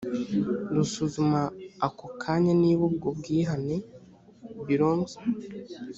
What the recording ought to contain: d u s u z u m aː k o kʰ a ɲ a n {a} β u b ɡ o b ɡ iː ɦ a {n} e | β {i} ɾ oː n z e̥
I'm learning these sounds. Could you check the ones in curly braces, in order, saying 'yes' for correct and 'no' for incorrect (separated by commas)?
no, yes, yes